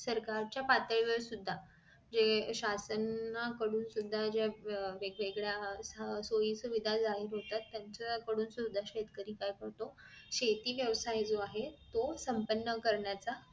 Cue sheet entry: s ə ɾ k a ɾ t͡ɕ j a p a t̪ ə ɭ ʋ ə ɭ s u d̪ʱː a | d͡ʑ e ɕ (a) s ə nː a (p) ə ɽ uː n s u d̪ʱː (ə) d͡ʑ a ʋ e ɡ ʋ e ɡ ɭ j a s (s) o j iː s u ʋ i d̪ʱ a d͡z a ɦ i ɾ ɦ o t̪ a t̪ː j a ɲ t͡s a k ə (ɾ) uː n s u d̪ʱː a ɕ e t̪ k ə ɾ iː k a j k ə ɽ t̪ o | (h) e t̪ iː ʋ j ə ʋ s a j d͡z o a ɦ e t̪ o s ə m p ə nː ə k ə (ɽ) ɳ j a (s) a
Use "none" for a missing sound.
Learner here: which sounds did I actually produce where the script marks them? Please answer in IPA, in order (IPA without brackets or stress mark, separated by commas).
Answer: a, k, a, s, ɽ, ɕ, ɾ, t͡s